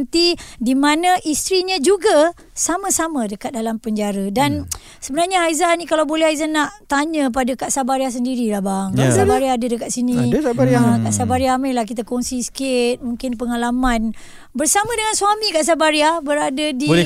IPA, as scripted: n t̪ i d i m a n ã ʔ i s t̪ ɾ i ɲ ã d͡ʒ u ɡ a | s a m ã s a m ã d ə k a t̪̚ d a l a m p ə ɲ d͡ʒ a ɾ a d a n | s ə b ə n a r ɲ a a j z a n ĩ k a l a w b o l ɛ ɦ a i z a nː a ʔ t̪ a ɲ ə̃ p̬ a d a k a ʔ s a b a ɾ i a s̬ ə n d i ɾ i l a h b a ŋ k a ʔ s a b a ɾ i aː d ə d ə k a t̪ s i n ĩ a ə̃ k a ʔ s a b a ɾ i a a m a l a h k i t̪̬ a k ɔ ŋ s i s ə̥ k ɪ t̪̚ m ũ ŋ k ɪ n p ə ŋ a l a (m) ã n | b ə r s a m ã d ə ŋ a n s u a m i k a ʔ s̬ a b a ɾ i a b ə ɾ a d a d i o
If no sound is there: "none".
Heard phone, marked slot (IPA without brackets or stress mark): m